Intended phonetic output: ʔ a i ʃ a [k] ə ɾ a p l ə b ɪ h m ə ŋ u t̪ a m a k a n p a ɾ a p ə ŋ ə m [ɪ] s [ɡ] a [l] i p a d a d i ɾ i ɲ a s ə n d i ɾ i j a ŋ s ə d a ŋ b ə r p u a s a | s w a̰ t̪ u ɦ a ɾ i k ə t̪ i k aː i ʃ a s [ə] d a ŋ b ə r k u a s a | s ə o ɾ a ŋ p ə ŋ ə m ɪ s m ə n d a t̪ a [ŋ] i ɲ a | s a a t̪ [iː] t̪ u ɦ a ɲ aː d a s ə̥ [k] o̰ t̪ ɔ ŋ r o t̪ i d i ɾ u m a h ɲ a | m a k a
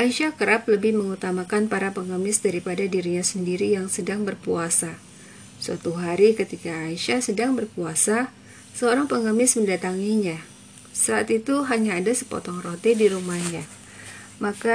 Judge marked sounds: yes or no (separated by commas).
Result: yes, yes, no, no, yes, yes, no, no